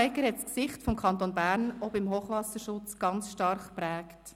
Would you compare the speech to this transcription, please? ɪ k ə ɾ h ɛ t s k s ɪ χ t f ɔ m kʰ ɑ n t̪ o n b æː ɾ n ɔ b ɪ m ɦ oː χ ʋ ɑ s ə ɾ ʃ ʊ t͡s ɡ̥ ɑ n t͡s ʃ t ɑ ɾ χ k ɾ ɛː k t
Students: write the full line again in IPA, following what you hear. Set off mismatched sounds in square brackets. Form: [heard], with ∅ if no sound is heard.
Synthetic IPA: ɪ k ə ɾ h ɛ t s k s ɪ χ t f ɔ m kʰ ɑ n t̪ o n b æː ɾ n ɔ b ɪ m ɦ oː χ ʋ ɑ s ə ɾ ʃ ʊ t͡s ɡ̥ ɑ n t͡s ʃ t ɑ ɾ χ [p] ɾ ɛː k t